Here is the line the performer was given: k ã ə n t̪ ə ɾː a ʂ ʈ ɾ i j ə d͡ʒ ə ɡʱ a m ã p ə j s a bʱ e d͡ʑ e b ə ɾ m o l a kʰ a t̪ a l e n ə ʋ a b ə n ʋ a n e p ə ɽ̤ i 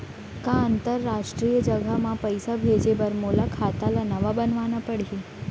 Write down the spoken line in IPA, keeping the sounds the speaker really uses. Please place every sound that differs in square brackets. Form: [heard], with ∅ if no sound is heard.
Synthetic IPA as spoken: k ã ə n t̪ ə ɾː a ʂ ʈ ɾ i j ə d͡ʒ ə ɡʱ a m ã p ə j s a bʱ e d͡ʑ e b ə ɾ m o l a kʰ a t̪ a l [a] n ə ʋ a b ə n ʋ a n [a] p ə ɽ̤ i